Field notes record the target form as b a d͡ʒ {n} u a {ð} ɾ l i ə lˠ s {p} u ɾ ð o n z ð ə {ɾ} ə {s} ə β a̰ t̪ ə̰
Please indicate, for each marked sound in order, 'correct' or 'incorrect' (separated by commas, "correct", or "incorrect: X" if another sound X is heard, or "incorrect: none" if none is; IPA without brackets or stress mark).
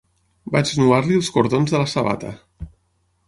correct, incorrect: none, incorrect: k, incorrect: l, correct